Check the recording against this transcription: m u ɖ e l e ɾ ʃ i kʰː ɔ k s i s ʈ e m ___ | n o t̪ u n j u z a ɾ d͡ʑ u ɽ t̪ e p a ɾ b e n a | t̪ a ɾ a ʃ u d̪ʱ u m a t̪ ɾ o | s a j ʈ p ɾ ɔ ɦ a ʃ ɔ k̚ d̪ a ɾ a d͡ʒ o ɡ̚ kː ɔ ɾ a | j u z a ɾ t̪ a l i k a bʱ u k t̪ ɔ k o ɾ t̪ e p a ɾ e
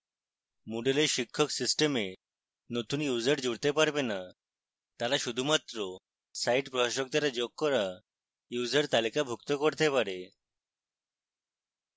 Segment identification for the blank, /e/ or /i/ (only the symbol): e